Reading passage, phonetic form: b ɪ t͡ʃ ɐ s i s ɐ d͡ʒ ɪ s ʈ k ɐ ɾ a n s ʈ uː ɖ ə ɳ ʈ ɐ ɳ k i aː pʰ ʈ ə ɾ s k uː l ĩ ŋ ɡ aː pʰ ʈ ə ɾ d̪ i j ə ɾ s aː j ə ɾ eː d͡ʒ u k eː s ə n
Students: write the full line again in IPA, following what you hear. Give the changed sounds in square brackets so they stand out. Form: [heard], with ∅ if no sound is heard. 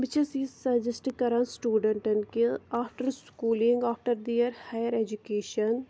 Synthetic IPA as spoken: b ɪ t͡ʃ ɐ s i s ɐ d͡ʒ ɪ s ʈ k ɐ ɾ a n s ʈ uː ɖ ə ɳ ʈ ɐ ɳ k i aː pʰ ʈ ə ɾ s k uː l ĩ ŋ ɡ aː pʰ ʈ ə ɾ d̪ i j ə ɾ [h] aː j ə ɾ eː d͡ʒ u k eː [ʃ] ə n